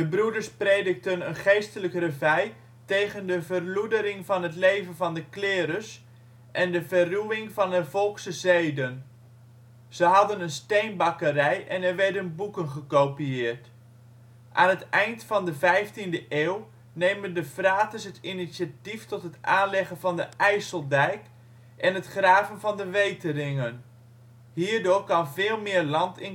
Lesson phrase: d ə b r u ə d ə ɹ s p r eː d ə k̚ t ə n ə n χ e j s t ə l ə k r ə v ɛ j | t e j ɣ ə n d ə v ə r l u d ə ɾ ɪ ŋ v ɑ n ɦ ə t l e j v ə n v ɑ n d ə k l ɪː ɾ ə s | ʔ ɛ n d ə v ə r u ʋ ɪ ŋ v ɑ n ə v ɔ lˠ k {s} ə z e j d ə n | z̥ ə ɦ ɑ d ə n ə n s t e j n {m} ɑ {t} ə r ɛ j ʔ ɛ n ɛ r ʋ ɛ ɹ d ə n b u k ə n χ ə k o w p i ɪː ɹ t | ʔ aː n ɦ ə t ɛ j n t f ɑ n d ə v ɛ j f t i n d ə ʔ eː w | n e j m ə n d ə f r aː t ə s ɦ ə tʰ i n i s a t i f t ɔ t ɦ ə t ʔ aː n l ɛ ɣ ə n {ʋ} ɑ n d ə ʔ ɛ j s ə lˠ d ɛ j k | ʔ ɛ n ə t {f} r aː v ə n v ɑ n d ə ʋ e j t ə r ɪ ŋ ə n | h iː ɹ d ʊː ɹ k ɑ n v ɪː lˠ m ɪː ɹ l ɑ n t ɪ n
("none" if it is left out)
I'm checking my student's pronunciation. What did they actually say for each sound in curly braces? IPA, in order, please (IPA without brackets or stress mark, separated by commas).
s, b, k, v, χ